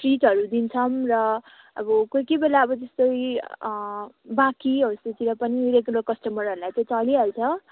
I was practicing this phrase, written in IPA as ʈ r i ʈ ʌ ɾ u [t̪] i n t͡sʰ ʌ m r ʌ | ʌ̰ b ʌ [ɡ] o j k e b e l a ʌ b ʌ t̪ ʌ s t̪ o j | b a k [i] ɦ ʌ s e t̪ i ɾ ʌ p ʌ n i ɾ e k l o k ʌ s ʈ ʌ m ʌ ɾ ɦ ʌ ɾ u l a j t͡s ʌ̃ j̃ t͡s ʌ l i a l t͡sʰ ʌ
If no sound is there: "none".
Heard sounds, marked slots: d̪, k, i

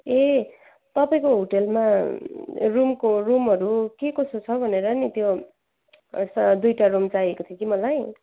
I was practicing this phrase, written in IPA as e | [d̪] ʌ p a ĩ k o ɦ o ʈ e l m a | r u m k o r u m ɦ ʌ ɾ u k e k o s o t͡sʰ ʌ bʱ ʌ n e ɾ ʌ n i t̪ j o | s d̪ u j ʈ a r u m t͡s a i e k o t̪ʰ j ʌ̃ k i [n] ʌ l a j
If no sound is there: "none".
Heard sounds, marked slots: t̪, m

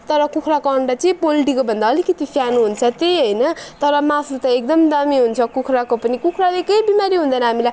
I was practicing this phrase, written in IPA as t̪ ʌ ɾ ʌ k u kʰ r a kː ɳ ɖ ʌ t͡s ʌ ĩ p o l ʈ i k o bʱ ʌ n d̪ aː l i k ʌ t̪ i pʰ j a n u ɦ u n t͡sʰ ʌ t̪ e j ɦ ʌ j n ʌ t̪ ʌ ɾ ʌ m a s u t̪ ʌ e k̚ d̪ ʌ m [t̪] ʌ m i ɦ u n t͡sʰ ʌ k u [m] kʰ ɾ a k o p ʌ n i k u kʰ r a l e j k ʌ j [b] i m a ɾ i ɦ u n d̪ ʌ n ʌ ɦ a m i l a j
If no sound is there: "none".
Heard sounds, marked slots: d̪, none, b

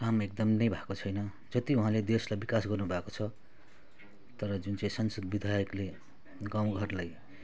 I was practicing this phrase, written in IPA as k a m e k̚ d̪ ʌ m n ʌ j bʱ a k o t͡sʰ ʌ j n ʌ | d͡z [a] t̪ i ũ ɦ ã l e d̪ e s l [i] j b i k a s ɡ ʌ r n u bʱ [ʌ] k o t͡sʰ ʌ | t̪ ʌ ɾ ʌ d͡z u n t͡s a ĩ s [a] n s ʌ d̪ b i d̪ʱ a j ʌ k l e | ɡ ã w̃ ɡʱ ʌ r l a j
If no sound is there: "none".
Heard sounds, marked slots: ʌ, a, a, ʌ

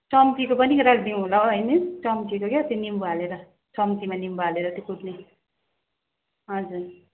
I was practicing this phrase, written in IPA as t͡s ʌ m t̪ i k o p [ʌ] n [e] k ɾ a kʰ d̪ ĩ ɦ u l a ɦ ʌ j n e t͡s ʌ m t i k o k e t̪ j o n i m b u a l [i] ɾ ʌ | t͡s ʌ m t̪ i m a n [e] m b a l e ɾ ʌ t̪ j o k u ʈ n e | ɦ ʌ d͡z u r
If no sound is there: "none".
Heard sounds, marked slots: ʌ, i, e, i

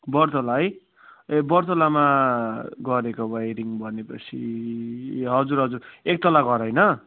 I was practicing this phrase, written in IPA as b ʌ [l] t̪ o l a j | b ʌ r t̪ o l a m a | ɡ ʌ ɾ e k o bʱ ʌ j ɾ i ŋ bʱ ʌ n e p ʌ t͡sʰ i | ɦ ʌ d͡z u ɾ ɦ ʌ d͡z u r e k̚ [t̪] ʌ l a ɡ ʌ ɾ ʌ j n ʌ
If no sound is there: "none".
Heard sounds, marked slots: r, t̪

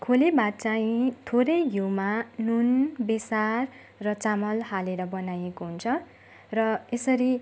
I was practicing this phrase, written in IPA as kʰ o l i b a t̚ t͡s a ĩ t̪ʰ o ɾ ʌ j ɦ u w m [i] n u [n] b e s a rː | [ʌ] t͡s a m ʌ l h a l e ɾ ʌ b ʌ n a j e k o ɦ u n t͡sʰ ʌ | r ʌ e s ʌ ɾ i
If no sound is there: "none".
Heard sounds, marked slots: a, n, ʌ

